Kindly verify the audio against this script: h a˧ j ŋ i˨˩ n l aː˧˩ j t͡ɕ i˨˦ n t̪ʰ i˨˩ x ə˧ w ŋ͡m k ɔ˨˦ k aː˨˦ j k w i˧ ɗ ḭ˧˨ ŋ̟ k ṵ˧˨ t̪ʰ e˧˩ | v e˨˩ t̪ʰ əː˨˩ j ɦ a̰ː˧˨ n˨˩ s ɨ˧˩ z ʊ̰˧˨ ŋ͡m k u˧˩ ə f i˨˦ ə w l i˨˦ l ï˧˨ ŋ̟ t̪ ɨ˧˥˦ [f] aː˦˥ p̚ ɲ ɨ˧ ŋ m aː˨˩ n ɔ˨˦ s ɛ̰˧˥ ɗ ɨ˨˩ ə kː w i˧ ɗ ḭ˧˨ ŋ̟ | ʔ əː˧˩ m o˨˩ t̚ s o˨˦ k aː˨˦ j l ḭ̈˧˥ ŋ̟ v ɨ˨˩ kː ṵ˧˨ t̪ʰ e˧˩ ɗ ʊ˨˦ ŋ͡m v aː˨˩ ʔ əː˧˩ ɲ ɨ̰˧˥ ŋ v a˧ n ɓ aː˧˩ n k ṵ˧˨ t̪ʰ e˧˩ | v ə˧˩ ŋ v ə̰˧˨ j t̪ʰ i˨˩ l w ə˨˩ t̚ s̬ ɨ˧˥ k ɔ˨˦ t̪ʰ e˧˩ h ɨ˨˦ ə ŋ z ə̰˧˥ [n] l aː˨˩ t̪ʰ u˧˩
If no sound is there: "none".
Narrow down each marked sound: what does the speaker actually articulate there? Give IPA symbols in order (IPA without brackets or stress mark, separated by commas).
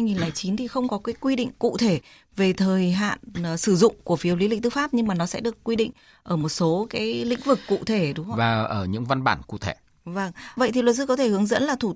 f, n